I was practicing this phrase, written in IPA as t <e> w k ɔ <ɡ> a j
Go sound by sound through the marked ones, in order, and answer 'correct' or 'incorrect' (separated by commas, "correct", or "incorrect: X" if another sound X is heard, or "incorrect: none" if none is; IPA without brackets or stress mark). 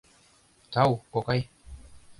incorrect: a, incorrect: k